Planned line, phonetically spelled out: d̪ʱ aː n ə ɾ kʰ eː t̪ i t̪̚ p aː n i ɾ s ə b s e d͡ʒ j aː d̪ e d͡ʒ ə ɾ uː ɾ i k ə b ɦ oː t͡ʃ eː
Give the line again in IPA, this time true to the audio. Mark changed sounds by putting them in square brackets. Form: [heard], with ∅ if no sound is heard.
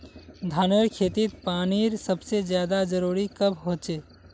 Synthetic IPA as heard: d̪ʱ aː n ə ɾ kʰ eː t̪ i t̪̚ p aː n i ɾ s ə b s e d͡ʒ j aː d̪ [a] d͡ʒ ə ɾ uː ɾ i k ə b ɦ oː t͡ʃ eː